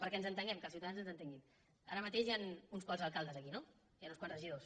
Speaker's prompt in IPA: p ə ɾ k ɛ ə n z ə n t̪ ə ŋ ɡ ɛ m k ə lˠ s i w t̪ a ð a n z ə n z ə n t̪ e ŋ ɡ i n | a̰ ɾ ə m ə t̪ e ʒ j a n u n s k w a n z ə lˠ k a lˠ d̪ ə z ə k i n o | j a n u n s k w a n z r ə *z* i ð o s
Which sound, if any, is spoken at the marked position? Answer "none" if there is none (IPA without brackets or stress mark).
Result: ʒ